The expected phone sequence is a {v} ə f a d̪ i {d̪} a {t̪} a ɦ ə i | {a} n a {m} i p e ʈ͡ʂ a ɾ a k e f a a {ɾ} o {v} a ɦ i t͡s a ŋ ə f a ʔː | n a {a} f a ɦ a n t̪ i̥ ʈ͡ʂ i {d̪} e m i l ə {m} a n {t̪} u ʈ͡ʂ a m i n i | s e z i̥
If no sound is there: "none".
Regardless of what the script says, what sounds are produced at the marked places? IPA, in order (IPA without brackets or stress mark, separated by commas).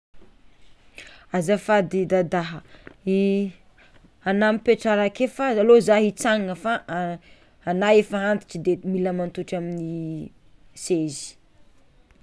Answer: z, d̪, d̪, a, m, l, z, e, d̪, m, t̪